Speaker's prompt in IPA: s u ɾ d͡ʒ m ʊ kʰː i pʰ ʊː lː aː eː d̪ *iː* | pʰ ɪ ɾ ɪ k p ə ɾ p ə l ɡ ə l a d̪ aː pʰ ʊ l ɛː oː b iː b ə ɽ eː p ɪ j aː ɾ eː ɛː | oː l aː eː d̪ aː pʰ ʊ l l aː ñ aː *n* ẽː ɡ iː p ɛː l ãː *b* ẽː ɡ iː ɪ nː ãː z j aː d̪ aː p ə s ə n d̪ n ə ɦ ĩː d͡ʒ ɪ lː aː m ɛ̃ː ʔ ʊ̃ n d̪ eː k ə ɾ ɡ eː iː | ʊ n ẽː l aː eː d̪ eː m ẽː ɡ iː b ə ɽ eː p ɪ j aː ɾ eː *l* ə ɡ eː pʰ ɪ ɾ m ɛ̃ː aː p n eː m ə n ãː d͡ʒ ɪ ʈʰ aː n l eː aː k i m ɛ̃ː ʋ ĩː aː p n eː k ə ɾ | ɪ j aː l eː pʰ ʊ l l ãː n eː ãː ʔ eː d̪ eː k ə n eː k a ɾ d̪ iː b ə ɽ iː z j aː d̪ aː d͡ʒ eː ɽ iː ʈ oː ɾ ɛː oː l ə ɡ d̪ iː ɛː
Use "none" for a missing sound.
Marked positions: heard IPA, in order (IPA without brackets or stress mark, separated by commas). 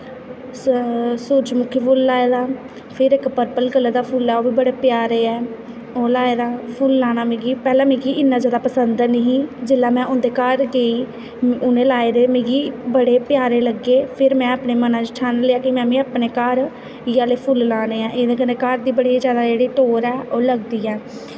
aː, m, m, l